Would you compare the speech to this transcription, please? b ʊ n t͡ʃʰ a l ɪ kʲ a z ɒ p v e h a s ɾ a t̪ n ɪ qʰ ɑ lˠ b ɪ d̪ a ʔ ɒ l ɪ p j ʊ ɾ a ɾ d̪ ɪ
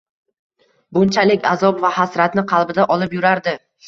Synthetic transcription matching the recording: b ʊ n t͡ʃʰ a l ɪ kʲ a z ɒ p v a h a s ɾ a t̪ n ɪ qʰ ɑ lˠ b ɪ d̪ a ʔ ɒ l ɪ p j ʊ ɾ a ɾ d̪ ɪ